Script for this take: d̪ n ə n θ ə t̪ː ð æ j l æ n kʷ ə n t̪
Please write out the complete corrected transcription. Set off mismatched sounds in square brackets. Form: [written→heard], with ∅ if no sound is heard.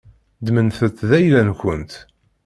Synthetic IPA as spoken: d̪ [n→m] ə n θ ə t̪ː ð æ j l æ n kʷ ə n t̪